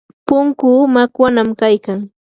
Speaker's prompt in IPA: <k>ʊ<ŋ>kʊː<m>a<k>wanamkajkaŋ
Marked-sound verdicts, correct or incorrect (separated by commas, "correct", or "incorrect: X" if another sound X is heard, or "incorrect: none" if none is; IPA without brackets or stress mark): incorrect: p, correct, correct, correct